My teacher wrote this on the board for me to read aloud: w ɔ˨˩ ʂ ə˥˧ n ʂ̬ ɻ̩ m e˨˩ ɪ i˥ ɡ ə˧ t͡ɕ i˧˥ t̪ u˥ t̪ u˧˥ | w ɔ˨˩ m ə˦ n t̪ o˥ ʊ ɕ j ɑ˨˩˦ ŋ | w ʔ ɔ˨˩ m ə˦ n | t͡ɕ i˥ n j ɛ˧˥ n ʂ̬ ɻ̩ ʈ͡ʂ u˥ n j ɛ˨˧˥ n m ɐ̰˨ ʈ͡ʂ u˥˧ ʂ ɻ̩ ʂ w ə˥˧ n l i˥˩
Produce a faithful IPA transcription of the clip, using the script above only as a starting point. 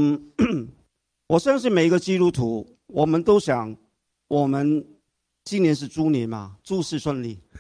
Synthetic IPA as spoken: w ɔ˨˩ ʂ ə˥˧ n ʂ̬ ɻ̩ m e˨˩ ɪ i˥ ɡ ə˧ t͡ɕ i˥ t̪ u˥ t̪ʰ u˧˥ | w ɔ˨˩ m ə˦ n t̪ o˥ ʊ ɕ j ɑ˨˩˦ ŋ | w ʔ ɔ˨˩ m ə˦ n | t͡ɕ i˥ n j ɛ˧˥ n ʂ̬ ɻ̩ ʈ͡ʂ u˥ n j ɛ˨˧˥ n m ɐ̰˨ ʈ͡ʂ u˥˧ ʂ ɻ̩ ʂ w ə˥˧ n l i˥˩